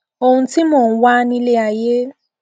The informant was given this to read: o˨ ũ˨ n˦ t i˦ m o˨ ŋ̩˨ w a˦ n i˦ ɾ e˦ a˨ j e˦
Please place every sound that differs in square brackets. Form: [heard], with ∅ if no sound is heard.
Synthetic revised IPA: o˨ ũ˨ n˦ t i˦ m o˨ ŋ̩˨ w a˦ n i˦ [l] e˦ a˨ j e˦

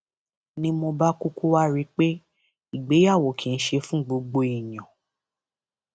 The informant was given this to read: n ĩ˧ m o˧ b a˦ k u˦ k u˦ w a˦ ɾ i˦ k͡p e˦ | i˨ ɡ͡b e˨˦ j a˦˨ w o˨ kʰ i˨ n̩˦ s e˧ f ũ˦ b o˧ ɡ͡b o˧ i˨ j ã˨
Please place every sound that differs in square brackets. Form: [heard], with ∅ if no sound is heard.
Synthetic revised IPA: n ĩ˧ m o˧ b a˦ k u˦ k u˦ w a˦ ɾ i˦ k͡p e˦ | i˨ ɡ͡b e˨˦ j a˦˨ w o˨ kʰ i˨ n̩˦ [ʃ] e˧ f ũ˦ [ɡ͡b] o˧ ɡ͡b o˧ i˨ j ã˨

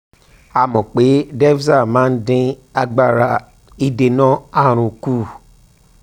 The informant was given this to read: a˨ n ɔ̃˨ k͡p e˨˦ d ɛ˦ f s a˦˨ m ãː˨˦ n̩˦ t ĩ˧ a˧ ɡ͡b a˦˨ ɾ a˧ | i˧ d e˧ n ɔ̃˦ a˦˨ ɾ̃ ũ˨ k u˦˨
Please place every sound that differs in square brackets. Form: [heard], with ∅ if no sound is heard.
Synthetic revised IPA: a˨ [m] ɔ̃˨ k͡p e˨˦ d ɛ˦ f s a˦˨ m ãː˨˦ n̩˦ [d] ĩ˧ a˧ ɡ͡b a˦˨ ɾ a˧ | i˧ d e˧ n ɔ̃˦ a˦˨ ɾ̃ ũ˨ k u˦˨

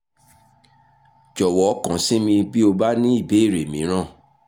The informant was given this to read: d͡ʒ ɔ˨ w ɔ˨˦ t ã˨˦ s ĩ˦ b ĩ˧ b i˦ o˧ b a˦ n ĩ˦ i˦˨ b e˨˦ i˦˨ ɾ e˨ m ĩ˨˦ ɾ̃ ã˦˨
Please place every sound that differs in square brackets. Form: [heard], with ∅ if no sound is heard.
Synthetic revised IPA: d͡ʒ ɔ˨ w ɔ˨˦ [k] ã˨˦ s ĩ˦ [m] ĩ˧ b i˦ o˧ b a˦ n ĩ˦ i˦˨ b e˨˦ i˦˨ ɾ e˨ m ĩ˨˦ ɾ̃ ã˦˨

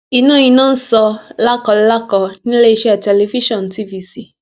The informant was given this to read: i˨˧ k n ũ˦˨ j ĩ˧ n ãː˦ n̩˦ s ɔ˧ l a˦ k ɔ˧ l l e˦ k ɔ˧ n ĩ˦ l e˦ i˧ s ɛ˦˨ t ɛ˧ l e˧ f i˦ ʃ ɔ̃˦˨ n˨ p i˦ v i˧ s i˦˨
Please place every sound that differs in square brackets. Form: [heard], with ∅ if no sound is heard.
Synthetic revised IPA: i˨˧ [∅] n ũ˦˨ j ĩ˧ n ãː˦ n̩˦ s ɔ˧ l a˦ k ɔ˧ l l [a˦] k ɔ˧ n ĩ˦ l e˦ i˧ [ʃ] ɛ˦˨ t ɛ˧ l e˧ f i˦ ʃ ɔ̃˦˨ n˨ [t] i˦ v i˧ s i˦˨

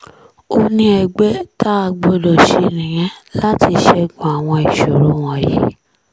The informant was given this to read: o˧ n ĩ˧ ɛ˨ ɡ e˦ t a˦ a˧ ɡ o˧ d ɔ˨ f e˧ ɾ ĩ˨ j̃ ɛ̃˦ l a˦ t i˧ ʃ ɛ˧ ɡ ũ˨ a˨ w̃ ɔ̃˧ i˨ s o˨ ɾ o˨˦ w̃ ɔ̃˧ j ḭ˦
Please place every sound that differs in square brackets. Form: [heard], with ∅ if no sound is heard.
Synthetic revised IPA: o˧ n ĩ˧ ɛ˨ [ɡ͡b] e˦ t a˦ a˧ [ɡ͡b] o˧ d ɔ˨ [ʃ] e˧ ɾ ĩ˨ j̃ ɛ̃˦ l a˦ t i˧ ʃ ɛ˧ ɡ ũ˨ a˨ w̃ ɔ̃˧ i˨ [ʃ] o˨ ɾ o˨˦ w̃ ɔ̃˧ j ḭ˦

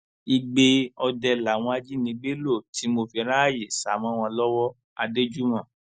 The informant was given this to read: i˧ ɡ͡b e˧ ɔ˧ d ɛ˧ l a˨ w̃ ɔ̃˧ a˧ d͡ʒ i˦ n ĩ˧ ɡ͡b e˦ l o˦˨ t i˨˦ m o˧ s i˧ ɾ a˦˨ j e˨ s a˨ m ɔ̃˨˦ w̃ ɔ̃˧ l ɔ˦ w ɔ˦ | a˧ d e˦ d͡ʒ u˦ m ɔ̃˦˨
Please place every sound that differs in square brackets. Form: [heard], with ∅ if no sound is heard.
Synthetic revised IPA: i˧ ɡ͡b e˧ ɔ˧ d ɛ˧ l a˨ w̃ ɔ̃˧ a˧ d͡ʒ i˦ n ĩ˧ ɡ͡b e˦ l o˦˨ t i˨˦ m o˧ [f] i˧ ɾ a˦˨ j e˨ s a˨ m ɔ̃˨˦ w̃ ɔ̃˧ l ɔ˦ w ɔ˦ | a˧ d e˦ d͡ʒ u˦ m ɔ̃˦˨

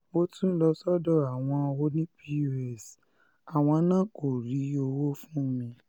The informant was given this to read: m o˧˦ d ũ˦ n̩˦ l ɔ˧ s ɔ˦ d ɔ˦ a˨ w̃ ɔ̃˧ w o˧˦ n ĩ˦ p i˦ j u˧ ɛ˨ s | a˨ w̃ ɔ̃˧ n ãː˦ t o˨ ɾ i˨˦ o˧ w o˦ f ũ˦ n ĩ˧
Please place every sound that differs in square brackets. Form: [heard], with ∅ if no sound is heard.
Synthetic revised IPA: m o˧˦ [t] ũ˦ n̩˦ l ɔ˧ s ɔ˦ d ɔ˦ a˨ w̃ ɔ̃˧ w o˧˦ n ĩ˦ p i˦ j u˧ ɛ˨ s | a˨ w̃ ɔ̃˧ n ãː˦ [k] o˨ ɾ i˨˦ o˧ w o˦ f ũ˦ [m] ĩ˧

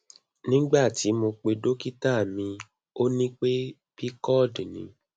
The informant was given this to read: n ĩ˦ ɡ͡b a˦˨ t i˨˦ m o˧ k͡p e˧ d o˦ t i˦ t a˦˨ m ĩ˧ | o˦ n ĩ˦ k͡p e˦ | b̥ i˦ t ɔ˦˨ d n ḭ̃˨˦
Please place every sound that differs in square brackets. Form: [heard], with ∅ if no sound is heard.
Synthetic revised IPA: n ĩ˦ ɡ͡b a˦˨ t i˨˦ m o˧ k͡p e˧ d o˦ [k] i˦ t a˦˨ m ĩ˧ | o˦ n ĩ˦ k͡p e˦ | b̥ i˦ [k] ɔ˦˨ d n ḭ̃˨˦

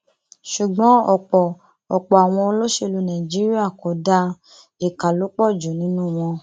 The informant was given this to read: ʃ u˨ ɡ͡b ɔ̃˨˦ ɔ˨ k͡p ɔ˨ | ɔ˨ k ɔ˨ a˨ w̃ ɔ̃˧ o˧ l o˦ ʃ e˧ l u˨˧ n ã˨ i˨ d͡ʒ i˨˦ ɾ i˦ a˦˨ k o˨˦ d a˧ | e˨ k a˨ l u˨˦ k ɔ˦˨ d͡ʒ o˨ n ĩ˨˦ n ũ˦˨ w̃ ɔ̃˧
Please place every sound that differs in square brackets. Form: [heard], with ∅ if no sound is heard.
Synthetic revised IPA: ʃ u˨ ɡ͡b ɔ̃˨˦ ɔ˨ k͡p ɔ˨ | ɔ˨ [k͡p] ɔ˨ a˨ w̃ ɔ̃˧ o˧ l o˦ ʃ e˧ l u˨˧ n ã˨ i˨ d͡ʒ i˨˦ ɾ i˦ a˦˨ k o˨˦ d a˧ | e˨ k a˨ l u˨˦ [k͡p] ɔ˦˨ d͡ʒ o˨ n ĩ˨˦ n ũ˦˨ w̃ ɔ̃˧

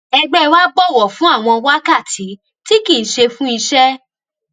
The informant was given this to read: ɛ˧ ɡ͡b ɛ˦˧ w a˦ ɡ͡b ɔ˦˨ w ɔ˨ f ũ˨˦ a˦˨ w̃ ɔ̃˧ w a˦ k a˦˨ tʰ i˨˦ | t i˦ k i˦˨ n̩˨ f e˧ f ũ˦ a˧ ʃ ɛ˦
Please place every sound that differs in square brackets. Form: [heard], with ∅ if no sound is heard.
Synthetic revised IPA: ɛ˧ ɡ͡b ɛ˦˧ w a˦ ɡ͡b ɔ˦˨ w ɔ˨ f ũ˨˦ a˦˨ w̃ ɔ̃˧ w a˦ k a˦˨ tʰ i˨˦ | t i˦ k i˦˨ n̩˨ [ʃ] e˧ f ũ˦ [i˧] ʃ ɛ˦

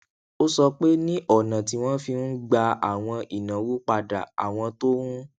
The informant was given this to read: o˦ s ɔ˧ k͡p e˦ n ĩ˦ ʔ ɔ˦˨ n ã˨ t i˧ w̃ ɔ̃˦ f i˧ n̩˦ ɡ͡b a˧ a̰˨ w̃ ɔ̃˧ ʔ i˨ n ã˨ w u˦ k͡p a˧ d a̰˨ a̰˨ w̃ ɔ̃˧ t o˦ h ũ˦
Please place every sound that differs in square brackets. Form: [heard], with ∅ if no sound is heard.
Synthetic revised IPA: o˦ s ɔ˧ k͡p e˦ n ĩ˦ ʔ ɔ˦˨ n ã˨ t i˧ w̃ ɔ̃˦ f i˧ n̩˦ ɡ͡b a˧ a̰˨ w̃ ɔ̃˧ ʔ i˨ n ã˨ w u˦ k͡p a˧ d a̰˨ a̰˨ w̃ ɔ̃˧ t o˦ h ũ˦

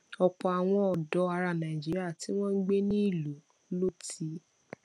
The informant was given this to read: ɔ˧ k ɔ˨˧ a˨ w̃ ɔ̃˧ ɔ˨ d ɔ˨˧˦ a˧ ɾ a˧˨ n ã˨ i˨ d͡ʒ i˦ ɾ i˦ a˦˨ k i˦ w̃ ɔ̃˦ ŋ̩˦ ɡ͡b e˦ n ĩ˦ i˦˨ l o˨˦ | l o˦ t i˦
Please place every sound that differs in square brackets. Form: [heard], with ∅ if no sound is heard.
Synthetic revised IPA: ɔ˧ [k͡p] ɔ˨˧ a˨ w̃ ɔ̃˧ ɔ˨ d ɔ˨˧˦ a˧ ɾ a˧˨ n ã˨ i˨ d͡ʒ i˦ ɾ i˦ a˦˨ [t] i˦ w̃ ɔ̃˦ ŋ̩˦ ɡ͡b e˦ n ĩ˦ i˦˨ l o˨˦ | l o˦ t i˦

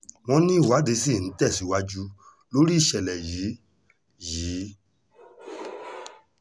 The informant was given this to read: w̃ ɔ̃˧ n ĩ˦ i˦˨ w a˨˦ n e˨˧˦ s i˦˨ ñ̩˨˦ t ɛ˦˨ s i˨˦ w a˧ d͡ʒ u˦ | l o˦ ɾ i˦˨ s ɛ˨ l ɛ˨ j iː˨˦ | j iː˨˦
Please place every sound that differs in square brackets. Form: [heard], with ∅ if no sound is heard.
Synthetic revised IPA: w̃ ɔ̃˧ n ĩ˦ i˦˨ w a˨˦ [d] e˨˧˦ s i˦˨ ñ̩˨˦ t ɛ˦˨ s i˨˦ w a˧ d͡ʒ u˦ | l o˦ ɾ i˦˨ [ʃ] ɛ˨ l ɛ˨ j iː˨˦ | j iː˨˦

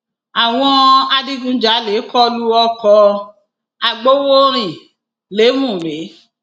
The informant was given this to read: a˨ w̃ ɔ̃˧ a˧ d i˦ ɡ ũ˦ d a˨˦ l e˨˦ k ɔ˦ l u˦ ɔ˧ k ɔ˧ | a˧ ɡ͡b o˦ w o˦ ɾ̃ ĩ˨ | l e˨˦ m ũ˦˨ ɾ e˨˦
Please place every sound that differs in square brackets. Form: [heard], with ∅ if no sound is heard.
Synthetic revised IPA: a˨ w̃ ɔ̃˧ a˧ d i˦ ɡ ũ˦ [d͡ʒ] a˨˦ l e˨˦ k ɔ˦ l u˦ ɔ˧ k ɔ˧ | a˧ ɡ͡b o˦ w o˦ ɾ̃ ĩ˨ | l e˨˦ m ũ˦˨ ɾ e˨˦

